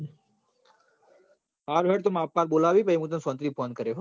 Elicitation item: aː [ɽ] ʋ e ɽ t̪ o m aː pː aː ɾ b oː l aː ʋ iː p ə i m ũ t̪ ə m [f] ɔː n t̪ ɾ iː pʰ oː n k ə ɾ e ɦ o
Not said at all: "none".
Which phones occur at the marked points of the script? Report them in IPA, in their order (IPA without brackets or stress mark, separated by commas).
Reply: ɾ, s